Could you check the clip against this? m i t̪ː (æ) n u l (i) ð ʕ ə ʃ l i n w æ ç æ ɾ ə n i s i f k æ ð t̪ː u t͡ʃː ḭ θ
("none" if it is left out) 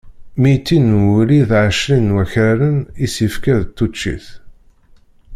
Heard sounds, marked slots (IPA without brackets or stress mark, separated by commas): i, i